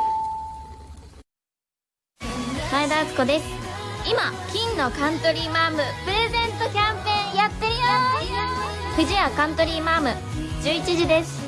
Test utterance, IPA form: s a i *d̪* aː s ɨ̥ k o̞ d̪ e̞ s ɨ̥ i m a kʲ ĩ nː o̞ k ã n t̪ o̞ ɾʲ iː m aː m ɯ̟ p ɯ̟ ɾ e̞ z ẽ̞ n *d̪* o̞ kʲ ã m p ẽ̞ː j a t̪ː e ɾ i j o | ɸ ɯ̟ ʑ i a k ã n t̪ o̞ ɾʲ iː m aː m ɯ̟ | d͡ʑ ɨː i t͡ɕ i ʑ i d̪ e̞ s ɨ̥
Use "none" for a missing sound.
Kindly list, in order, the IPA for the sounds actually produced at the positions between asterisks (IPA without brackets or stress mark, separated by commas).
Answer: d̪, t̪